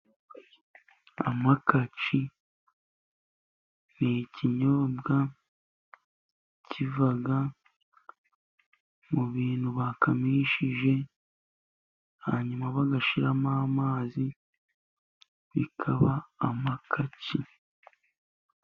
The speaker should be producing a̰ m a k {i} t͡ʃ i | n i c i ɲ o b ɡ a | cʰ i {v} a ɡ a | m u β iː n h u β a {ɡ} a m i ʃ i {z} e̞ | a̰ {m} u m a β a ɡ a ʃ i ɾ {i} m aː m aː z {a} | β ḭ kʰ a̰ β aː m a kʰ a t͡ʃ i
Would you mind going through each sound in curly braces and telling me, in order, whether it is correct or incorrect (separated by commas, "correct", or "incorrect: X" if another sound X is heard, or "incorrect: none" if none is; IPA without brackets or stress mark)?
incorrect: a, correct, incorrect: k, incorrect: ʒ, incorrect: ɲ, incorrect: a, incorrect: i